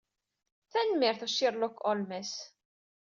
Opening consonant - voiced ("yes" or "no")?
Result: no